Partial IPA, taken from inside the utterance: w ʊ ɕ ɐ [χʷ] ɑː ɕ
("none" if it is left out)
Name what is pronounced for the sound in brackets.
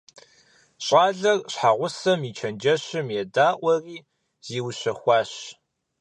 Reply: xʷ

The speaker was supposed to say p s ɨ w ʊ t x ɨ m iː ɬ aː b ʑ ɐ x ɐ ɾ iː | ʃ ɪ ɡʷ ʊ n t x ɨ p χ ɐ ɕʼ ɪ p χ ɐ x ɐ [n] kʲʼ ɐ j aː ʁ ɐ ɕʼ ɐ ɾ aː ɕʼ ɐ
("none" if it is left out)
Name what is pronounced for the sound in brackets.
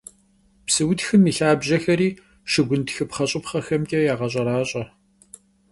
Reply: m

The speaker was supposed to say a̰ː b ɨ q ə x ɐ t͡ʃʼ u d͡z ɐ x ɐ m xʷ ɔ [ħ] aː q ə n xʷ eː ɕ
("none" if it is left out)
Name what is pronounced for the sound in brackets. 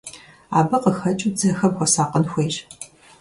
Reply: s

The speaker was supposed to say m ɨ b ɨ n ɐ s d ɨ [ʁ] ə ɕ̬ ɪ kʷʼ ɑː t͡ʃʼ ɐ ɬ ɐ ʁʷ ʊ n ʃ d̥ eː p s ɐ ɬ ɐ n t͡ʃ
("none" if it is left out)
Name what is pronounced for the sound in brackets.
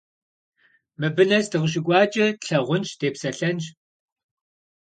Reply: ʁ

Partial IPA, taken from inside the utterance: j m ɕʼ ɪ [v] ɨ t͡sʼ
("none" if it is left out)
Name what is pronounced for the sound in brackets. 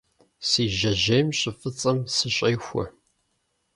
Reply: f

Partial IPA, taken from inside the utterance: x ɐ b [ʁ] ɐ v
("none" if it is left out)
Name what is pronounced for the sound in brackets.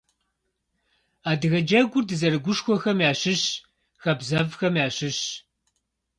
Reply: z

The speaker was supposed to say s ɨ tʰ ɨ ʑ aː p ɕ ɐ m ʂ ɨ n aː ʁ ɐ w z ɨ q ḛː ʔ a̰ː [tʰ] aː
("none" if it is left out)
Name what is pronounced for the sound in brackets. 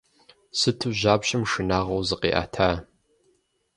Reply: tʰ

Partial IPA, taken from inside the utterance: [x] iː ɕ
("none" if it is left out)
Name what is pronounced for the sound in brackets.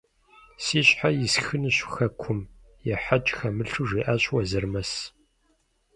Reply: s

